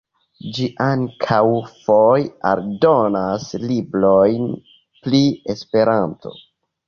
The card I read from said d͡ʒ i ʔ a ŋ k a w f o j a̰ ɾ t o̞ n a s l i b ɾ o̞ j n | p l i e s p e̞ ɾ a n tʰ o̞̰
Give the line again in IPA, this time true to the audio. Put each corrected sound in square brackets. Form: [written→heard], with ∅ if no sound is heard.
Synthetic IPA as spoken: d͡ʒ i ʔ a ŋ [k→kʰ] a w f o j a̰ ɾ [t→d] o̞ n a s l i b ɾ o̞ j n | p l i e s p e̞ ɾ a n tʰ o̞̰